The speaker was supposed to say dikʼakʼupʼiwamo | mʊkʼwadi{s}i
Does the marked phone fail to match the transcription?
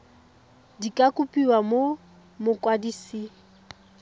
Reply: no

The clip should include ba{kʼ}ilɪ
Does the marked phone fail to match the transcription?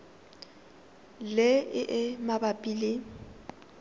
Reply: yes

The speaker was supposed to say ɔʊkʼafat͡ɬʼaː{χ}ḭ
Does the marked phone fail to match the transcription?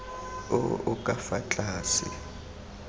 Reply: yes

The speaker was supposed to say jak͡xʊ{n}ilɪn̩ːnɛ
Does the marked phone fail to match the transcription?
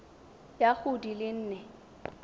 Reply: yes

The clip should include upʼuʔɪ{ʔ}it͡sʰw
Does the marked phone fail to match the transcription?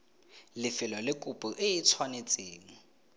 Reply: yes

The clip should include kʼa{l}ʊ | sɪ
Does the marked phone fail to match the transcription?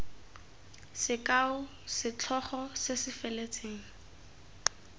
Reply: yes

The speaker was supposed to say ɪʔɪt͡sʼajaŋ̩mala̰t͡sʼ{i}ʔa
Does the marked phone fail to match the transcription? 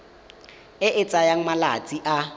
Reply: no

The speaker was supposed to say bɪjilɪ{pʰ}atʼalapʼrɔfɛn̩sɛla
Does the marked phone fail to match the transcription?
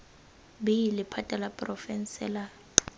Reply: no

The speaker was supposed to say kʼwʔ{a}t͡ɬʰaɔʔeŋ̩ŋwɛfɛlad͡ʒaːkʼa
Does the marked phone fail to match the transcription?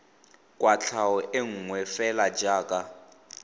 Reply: no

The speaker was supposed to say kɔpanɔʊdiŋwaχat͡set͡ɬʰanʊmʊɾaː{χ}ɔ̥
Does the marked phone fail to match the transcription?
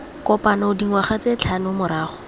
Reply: no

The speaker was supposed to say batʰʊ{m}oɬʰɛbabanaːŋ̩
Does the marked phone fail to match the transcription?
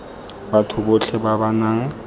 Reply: yes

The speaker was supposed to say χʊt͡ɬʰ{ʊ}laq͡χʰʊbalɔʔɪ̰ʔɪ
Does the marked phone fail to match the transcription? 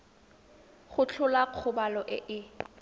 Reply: no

